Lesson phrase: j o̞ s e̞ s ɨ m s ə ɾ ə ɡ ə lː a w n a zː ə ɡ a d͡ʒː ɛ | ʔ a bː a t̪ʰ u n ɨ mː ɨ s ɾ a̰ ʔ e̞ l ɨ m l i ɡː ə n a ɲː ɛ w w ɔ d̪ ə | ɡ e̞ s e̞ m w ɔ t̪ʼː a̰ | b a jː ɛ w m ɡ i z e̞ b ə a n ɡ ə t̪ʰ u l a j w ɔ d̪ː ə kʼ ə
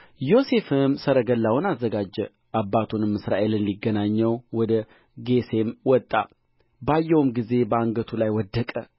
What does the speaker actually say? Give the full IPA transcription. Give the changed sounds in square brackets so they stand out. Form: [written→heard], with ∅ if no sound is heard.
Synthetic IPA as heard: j o̞ s e̞ [s→f] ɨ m s ə ɾ ə ɡ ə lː a w n a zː ə ɡ a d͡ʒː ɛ | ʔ a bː a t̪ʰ u n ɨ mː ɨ s ɾ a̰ ʔ e̞ l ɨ [m→n] l i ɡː ə n a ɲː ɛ w w ɔ d̪ ə | ɡ e̞ s e̞ m w ɔ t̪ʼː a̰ | b a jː ɛ w m ɡ i z e̞ b ə a [n→ŋ] ɡ ə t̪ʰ u l a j w ɔ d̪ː ə kʼ ə